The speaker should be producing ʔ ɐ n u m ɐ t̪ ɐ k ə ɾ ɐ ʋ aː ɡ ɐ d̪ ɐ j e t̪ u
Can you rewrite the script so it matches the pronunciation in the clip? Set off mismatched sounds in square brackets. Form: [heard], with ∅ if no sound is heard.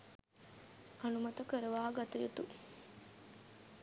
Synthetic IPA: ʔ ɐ n u m ɐ t̪ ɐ k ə ɾ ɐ ʋ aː ɡ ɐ [t̪] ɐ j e t̪ u